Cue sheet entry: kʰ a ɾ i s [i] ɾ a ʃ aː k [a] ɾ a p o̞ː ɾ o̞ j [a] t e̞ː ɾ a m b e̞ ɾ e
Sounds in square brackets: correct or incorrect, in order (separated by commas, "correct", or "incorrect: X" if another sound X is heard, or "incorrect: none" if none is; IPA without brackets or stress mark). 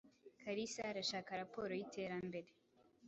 incorrect: a, correct, incorrect: i